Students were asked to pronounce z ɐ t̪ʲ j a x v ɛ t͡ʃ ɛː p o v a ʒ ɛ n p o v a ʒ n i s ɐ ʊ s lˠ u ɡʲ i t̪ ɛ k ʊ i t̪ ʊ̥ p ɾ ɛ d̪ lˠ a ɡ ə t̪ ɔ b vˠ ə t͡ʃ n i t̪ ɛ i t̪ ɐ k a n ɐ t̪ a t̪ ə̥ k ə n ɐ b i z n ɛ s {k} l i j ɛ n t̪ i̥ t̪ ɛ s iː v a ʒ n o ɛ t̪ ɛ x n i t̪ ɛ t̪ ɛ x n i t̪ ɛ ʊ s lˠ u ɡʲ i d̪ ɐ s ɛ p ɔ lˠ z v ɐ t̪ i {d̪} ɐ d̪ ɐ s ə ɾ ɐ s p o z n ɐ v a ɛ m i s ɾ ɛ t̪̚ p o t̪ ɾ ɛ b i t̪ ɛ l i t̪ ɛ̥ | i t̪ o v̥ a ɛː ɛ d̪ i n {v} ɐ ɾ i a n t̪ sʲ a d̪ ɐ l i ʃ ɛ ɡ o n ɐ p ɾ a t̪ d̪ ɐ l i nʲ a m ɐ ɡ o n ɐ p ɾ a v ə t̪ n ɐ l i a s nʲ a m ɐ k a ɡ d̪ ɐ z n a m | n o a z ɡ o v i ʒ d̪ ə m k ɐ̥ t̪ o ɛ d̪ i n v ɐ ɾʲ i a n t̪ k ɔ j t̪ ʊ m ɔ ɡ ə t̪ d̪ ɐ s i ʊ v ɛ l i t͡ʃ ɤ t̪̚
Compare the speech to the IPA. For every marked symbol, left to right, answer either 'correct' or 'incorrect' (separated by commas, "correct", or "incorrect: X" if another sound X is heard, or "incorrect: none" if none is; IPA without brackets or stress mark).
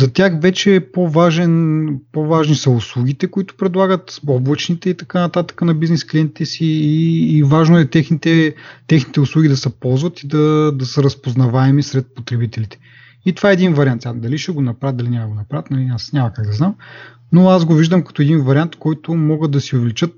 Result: correct, correct, correct